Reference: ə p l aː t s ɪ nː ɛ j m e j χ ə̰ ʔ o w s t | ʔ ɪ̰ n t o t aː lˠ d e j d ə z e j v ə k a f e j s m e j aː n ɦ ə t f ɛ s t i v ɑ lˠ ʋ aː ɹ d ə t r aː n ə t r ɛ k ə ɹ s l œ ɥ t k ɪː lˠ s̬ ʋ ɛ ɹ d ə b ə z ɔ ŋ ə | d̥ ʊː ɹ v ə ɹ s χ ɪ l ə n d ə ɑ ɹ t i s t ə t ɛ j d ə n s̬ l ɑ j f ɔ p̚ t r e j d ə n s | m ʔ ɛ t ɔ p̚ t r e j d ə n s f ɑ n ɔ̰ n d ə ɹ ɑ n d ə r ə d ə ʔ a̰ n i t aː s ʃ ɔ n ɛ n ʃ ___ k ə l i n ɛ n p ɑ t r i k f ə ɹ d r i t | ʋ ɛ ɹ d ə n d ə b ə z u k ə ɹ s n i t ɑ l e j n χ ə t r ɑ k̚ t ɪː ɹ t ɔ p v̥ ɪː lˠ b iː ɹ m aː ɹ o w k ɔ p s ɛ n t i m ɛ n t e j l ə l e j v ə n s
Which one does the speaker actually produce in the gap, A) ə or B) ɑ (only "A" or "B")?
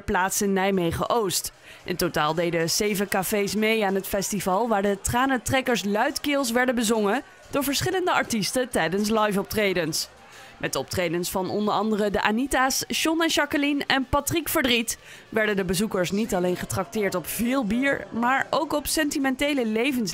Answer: B